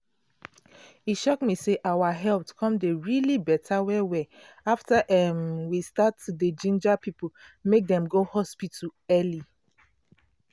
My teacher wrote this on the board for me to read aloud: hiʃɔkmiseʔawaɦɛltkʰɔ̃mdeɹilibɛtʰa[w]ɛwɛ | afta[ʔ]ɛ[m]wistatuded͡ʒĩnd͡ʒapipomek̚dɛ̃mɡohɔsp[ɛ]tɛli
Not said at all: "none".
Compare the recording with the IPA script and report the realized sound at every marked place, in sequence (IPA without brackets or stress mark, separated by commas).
w, ʔ, m, i